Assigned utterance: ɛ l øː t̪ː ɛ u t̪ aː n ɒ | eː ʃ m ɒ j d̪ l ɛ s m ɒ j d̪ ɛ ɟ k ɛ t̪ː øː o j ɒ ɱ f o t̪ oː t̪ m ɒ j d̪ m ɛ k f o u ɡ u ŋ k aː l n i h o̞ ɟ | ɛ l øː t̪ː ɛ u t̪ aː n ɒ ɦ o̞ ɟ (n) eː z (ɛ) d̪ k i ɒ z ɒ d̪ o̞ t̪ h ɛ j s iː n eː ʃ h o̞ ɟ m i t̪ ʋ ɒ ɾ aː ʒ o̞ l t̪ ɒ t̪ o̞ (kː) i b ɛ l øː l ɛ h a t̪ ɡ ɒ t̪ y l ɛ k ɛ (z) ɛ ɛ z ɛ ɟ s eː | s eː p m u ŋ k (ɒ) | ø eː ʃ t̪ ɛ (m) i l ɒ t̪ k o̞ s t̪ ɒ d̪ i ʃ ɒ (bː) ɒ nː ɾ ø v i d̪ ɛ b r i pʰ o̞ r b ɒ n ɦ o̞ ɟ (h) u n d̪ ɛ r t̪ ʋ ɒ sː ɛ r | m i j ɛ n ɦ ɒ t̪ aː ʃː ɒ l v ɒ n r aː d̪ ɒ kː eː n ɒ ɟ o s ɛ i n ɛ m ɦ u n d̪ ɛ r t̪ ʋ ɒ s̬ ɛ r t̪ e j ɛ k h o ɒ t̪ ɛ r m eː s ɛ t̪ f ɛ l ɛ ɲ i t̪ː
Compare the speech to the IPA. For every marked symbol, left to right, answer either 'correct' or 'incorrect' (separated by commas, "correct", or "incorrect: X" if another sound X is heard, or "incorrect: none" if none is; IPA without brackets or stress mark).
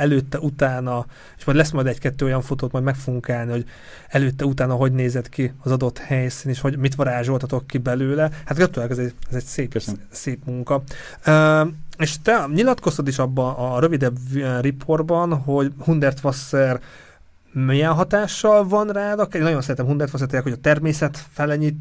correct, correct, correct, correct, correct, incorrect: ɲ, correct, correct